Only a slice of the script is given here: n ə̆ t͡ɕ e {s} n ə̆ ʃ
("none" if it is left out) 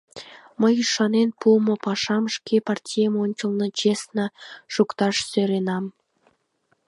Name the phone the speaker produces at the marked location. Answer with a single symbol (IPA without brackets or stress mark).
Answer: s